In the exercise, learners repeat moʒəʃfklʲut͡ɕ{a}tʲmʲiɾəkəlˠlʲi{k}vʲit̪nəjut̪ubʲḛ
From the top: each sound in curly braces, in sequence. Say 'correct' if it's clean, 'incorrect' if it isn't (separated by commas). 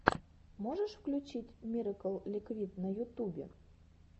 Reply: incorrect, correct